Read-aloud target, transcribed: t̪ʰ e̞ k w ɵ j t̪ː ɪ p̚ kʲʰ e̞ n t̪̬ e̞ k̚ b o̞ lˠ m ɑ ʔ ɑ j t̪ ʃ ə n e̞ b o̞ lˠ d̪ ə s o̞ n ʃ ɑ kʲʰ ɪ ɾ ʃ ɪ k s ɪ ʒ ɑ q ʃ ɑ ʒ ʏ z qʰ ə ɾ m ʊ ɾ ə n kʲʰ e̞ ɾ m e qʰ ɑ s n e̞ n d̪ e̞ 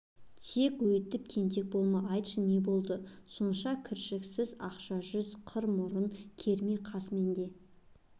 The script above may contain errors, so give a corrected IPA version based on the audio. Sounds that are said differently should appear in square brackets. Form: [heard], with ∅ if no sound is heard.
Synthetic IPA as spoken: t̪ʰ e̞ k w ɵ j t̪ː ɪ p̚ kʲʰ e̞ n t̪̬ e̞ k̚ b o̞ lˠ m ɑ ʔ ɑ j t̪ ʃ ə n e̞ b o̞ lˠ d̪ ə s o̞ n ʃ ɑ kʲʰ ɪ ɾ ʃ ɪ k s ɪ [z] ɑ q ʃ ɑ ʒ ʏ z qʰ ə ɾ m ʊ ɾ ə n kʲʰ e̞ ɾ m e qʰ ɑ s [m] e̞ n d̪ e̞